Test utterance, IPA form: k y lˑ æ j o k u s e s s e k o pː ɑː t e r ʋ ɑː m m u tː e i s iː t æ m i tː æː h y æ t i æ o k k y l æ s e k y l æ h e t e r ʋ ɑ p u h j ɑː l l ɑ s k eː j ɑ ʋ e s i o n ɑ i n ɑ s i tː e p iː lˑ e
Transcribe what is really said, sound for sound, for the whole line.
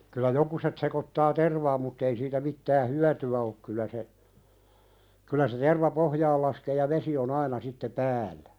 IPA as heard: k y lˑ æ j o k u s e t s e k o tː ɑː t e r ʋ ɑː m m u tː e i s iː t æ m i tː æː h y æ t y æ o k k y l æ s e k y l æ s e t e r ʋ ɑ p o h j ɑː l l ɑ s k eː j ɑ ʋ e s i o n ɑ i n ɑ s i tː e p æː lˑ æ